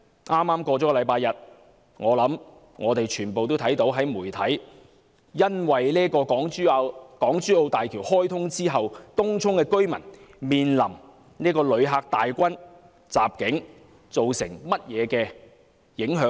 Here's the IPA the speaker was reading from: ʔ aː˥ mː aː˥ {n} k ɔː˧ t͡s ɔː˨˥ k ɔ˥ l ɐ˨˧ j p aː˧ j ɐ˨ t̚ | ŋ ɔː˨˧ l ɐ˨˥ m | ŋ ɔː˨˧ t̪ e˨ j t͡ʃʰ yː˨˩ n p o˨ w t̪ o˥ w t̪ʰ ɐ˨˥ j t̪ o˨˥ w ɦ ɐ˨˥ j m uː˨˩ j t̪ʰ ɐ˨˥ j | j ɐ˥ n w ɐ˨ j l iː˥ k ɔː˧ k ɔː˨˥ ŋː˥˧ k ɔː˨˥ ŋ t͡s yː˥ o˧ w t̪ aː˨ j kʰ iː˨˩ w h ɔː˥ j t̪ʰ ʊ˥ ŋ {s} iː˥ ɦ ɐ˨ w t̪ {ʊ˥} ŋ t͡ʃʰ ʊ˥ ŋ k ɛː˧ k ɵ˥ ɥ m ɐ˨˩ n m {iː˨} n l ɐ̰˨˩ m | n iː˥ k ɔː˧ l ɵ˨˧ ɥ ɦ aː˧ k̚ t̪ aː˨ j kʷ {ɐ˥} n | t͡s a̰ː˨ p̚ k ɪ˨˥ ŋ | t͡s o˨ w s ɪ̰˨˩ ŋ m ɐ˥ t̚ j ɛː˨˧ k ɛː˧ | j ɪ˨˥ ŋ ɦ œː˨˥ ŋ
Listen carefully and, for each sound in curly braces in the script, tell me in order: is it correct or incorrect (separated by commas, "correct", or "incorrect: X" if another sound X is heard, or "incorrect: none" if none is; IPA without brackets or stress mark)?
incorrect: m, incorrect: t͡s, correct, correct, correct